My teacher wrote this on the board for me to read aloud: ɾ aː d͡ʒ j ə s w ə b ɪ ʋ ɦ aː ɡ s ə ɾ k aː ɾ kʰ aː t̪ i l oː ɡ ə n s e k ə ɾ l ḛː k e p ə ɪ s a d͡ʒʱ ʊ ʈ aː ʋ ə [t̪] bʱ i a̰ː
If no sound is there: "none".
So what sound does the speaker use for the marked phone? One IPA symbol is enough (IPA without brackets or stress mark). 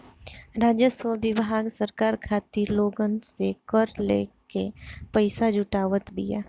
t̪